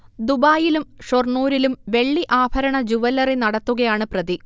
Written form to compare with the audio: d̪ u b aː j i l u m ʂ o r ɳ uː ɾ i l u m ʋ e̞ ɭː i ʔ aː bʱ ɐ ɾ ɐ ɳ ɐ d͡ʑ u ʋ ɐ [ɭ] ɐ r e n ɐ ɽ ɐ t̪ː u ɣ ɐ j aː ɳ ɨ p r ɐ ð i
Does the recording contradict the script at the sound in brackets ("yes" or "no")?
yes